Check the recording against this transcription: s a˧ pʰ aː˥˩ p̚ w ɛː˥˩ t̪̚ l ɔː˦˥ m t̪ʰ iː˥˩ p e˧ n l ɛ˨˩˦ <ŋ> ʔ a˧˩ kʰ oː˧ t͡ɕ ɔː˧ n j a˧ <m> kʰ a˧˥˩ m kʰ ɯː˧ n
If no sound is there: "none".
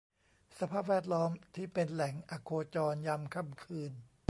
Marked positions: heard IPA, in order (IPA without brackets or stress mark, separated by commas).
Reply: ŋ, m